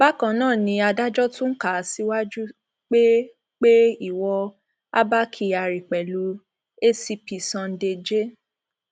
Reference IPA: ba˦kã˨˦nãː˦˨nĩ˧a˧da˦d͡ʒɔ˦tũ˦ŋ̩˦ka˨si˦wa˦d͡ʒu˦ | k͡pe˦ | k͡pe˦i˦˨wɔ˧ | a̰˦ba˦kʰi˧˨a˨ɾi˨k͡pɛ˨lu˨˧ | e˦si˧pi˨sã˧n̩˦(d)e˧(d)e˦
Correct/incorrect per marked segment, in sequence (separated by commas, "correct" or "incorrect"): correct, incorrect